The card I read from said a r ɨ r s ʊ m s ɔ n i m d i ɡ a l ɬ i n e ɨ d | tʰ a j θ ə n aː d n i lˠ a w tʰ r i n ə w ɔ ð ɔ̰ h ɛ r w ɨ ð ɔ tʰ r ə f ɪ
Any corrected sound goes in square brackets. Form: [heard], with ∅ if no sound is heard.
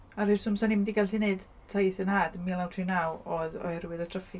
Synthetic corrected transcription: a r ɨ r s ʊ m s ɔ n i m d i ɡ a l ɬ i n e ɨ d | tʰ a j θ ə n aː d [m] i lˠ a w tʰ r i n [a] w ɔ ð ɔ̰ h ɛ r w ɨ ð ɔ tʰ r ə f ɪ